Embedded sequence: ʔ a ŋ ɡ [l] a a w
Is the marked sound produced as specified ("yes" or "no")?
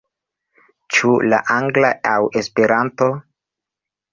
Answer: yes